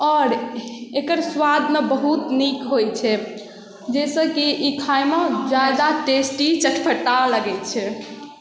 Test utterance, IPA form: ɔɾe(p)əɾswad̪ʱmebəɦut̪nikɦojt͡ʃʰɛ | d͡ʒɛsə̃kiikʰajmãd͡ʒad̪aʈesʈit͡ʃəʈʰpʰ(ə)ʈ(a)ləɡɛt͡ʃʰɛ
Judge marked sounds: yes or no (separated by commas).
no, yes, yes